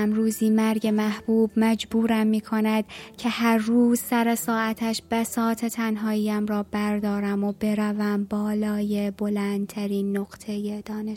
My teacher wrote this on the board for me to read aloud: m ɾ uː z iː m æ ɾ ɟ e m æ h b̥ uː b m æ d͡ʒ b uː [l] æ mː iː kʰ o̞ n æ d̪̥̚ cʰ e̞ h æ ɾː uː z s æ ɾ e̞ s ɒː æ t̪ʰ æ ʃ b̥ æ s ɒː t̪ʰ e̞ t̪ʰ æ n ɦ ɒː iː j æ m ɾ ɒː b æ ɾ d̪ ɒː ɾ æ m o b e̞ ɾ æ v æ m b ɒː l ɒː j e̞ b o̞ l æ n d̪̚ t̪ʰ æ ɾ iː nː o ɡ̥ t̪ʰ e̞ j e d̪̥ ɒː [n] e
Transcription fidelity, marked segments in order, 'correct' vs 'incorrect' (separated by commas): incorrect, correct